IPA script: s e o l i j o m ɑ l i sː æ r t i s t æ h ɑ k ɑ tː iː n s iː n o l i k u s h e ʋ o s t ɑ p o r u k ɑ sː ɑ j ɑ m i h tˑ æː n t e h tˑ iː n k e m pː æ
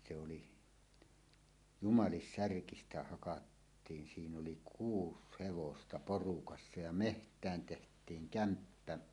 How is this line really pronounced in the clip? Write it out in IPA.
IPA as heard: s e o l i j u m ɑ l i sː æ r k i s t æ h ɑ k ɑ tː iː n s iː n o l i k uː s h e ʋ o s t ɑ p o r u k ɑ sː ɑ j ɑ m e h tˑ æː n t e h tˑ iː ŋ k æ m pː æ